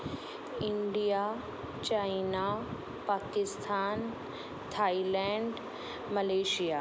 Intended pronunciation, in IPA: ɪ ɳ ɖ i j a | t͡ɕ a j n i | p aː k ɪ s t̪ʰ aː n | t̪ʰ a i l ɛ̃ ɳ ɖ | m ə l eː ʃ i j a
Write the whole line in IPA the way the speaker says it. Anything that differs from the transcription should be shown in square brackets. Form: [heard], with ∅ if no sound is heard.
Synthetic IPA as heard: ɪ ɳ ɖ i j a | t͡ɕ a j n [a] | p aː k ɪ s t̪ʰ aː n | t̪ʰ a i l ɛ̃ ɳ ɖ | m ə l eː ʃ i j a